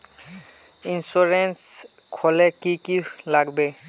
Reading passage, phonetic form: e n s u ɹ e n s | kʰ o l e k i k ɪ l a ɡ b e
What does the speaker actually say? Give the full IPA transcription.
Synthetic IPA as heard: i n s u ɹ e n s | kʰ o l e k i k i l a ɡ b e